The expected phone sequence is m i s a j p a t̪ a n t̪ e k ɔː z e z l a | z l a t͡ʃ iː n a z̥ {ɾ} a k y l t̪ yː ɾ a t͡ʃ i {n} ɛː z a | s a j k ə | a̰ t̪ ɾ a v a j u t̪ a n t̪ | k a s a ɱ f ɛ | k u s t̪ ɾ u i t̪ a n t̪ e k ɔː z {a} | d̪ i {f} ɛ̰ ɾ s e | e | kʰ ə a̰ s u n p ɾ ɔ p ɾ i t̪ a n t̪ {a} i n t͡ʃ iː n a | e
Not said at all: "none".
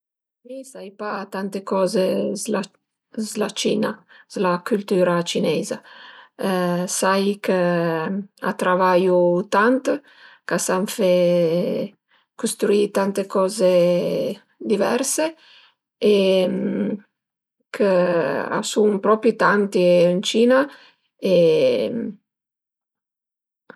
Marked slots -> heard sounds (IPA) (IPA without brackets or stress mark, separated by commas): l, n, e, v, i